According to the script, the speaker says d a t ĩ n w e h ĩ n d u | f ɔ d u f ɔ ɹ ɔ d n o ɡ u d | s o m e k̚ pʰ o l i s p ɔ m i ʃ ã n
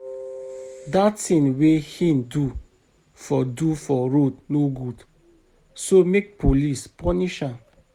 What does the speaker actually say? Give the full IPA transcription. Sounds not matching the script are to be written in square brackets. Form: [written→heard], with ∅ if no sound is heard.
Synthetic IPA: d a t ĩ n w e h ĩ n d u | f ɔ d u f ɔ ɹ [ɔ→o] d n o ɡ u d | s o m e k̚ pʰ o l i s p ɔ [m→n] i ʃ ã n

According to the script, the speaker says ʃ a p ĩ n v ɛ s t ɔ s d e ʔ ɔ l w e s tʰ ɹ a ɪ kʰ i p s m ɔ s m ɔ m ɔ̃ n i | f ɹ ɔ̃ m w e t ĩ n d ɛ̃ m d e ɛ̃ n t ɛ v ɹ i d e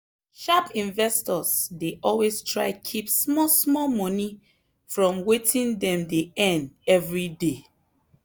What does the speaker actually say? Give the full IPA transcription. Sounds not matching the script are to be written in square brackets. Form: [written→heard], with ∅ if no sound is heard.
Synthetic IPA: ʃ a p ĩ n v ɛ s t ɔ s d e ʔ ɔ l w e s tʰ ɹ a ɪ kʰ i p s m ɔ s m ɔ m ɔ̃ n i | f ɹ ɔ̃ m w e t ĩ n d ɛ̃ m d e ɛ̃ n [t→d] ɛ v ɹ i d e

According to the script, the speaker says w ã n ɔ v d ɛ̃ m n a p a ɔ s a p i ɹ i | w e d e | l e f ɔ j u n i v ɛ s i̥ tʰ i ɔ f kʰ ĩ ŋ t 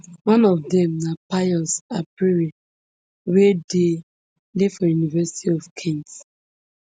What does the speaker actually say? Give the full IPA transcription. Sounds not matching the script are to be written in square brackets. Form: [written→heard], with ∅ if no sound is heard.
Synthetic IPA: w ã n ɔ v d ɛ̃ m n a p a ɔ s a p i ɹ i | w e d e | l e f ɔ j u n i v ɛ s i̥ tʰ i ɔ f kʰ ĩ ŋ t

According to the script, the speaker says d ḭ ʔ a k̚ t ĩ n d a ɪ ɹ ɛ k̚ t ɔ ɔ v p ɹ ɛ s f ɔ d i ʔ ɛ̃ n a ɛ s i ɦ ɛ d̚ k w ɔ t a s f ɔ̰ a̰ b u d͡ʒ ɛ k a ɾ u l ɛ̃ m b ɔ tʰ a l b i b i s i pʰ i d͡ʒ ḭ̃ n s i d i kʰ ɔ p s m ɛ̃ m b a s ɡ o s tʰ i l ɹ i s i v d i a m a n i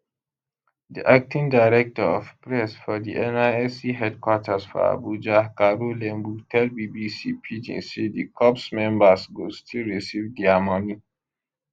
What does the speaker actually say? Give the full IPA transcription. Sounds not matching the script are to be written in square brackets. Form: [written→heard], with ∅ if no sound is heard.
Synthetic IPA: d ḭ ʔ a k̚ t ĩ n d a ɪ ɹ ɛ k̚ t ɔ ɔ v p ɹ ɛ s f ɔ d i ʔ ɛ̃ n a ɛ s i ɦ ɛ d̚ k w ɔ t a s f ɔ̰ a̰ b u d͡ʒ [ɛ→a] k a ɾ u l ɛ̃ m b [ɔ→u] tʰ [a→ɛ] l b i b i s i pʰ i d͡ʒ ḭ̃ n s i d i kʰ ɔ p s m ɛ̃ m b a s ɡ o s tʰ i l ɹ i s i v d i a m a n i

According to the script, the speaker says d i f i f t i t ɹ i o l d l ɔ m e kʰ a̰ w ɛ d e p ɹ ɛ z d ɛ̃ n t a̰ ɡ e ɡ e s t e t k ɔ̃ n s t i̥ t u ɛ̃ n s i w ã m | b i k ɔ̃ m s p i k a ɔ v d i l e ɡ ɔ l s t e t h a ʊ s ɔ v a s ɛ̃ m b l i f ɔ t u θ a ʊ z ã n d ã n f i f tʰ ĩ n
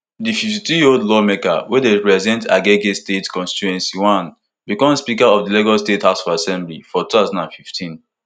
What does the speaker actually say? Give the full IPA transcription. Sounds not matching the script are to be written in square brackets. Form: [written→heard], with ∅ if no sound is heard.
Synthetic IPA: d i f i f t i t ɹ i o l d l ɔ m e [kʰ→k] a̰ w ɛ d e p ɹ ɛ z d ɛ̃ n t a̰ ɡ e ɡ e s t e t k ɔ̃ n s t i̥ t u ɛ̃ n s i w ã [m→n] | b i k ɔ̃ m s p i k a ɔ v d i l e ɡ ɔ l s t e t h a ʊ s ɔ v a s ɛ̃ m b l i f ɔ t u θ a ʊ z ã n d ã n f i f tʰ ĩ n

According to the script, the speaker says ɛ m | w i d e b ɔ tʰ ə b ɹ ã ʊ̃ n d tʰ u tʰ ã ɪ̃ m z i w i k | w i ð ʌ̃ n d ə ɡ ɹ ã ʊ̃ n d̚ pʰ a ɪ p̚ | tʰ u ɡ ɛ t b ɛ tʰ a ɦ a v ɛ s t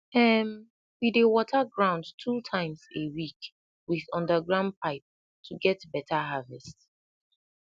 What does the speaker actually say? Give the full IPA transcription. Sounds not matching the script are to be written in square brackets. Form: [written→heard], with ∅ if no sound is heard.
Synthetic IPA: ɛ m | w i d e [b→w] ɔ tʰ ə [b→ɡ] ɹ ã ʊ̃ n d tʰ u tʰ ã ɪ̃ m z [i→e] w i k | w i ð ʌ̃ n d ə ɡ ɹ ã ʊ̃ n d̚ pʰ a ɪ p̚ | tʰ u ɡ ɛ t b ɛ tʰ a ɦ a v ɛ s t

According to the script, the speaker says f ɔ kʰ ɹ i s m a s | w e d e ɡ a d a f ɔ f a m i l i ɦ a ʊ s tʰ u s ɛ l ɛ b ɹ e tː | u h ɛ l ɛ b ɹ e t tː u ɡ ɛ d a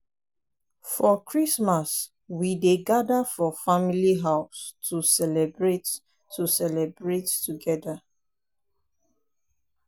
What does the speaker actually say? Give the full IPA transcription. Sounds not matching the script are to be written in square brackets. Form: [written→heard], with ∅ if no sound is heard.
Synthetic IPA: f ɔ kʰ ɹ i s m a s | w [e→i] d e ɡ a d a f ɔ f a m i l i ɦ a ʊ s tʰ u s ɛ l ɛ b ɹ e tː | u [h→s] ɛ l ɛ b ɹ e t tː u ɡ ɛ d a

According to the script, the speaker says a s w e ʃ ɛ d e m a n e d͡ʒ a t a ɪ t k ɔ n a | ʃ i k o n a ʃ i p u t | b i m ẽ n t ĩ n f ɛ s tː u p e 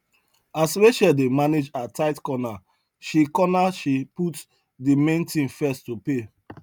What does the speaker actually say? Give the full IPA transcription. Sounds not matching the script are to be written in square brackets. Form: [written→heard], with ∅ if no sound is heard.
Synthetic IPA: a s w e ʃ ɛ d e m a n e d͡ʒ a t a ɪ t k ɔ n a | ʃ i k [o→ɔ] n a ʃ i p u t | [b→d] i m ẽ n t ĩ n f ɛ s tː u p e

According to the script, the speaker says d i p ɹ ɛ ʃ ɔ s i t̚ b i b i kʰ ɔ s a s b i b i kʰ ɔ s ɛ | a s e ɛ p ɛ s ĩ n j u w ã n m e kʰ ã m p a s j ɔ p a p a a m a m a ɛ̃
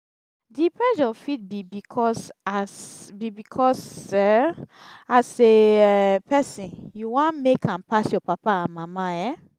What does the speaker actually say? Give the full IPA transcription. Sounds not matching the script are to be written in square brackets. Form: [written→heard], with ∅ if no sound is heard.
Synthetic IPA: d i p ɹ ɛ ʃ ɔ [s→f] i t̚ b i b i kʰ ɔ s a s b i b i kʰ ɔ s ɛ | a s e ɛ p ɛ s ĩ n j u w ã n m e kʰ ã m p a s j ɔ p a p a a m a m a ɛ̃

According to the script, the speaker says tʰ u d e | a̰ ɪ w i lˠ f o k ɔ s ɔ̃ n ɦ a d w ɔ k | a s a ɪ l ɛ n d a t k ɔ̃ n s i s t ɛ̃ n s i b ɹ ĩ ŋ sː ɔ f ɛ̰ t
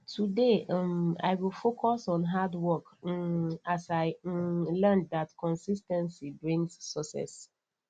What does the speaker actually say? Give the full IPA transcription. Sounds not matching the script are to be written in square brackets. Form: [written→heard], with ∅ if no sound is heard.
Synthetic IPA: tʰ u d e | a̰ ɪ w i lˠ f o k ɔ s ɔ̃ n ɦ a d w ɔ k | a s a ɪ l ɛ n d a t k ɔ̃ n s i s t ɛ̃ n s i b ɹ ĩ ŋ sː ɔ [f→s] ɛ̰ [t→s]

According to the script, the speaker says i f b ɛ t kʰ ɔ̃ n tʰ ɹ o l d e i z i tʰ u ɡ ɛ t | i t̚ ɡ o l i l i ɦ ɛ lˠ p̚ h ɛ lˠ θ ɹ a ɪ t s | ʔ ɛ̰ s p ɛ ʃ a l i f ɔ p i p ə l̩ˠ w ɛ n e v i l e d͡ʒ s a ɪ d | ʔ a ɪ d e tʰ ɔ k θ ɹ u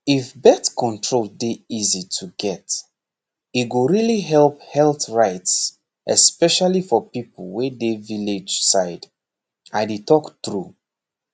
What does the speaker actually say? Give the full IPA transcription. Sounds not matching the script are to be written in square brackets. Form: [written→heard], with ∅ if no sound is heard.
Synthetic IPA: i f b ɛ t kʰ ɔ̃ n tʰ ɹ o l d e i z i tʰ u ɡ ɛ t | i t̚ ɡ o [l→ɹ] i l i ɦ ɛ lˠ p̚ h ɛ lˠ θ ɹ a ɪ t s | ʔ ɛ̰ s p ɛ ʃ a l i f ɔ p i p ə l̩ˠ w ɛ [n→d] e v i l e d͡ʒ s a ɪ d | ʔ a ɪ d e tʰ ɔ k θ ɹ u

